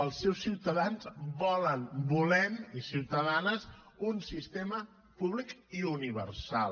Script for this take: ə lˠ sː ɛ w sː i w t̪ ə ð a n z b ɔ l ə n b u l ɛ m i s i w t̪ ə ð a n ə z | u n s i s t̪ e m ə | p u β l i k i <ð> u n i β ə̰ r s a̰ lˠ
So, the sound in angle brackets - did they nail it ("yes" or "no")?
no